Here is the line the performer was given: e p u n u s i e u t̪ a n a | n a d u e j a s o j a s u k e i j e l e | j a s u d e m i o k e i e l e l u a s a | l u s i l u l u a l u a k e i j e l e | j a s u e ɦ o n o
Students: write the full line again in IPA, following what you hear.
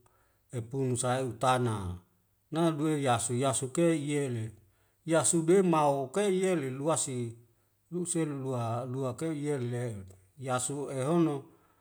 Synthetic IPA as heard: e p u n u s a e u t̪ a n a | n a d u e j a s u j a s u k e i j e l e | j a s u d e m a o k e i e l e l u a s i | l u s e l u l u a l u a k e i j e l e | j a s u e ɦ o n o